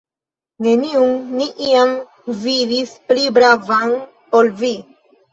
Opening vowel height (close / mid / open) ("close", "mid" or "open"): mid